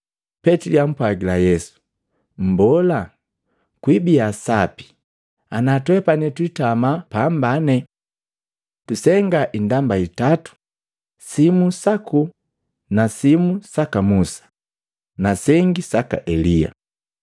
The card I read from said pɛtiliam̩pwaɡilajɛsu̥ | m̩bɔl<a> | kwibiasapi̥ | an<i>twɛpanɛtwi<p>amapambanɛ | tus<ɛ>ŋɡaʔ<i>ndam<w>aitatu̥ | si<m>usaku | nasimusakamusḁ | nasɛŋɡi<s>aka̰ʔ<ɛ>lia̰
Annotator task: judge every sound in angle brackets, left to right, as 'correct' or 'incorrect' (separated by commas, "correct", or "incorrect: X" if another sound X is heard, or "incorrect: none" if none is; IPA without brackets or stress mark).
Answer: correct, incorrect: a, incorrect: t, correct, correct, incorrect: b, correct, correct, correct